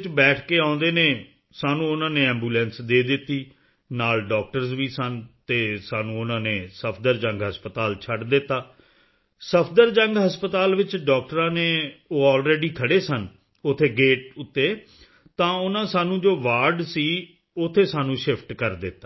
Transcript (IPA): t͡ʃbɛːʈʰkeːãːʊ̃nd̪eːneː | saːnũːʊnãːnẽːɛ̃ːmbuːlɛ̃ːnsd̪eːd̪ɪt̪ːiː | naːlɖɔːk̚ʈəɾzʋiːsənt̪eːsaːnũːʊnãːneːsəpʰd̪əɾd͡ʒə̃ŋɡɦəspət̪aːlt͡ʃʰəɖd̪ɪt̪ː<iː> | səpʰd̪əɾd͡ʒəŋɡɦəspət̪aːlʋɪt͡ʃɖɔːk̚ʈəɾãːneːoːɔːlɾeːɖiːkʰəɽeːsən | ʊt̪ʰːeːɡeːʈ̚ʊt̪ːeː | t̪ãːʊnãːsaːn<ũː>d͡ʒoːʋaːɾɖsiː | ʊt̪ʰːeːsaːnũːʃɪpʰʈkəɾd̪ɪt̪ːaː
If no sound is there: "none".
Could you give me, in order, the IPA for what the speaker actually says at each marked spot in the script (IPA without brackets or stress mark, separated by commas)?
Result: aː, ũː